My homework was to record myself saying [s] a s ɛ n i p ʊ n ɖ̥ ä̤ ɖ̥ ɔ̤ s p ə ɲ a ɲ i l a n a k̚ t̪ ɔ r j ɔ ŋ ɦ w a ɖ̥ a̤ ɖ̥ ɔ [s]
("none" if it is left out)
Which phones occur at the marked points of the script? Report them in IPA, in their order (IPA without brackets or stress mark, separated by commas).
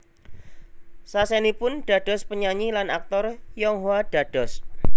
s, s